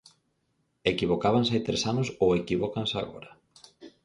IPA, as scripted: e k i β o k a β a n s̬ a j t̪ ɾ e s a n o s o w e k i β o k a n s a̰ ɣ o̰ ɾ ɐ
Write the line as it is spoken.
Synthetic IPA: e k i β o k a β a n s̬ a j t̪ ɾ e s a n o s o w e k i β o k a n s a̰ ɣ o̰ ɾ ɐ